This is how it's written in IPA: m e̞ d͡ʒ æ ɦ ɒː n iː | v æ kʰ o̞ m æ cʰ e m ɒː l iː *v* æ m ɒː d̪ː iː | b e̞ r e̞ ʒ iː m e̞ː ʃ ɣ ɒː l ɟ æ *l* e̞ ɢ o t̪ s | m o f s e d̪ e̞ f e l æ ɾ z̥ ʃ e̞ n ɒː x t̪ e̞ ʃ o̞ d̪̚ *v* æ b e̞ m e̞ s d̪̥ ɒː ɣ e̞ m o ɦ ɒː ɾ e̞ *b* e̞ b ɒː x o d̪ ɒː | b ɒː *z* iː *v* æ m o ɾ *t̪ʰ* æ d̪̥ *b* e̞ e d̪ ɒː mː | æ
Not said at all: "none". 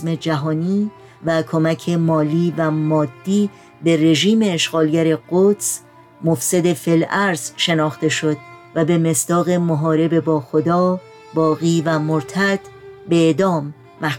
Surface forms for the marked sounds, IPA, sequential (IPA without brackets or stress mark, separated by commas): v, ɾ, v, b, ɣ, v, t̪ʰ, b